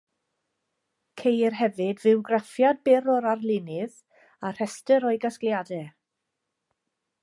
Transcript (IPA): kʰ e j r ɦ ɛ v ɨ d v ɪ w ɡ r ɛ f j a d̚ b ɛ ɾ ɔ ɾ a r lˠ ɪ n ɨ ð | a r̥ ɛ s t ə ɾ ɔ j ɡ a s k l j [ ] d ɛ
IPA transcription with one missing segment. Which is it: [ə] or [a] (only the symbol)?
a